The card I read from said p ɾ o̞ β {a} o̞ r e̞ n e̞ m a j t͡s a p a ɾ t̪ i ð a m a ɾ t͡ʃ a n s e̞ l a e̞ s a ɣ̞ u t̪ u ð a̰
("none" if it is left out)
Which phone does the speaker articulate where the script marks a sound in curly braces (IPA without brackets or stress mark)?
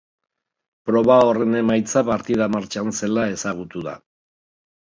a